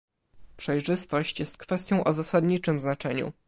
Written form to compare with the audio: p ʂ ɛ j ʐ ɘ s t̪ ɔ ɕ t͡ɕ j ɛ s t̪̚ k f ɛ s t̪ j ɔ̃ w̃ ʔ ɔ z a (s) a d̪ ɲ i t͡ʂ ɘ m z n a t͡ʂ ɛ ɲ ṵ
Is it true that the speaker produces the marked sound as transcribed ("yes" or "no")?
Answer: yes